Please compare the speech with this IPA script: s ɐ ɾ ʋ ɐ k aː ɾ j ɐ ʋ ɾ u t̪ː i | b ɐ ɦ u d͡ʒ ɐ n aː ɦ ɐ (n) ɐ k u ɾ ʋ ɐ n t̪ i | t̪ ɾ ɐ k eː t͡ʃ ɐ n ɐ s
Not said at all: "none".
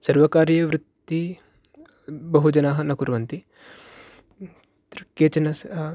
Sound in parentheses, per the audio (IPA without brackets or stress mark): n